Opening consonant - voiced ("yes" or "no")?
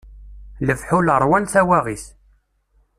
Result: yes